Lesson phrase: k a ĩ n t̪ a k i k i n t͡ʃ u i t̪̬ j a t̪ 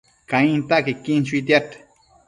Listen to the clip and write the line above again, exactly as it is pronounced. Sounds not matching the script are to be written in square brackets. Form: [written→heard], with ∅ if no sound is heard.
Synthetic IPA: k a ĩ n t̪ a k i k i n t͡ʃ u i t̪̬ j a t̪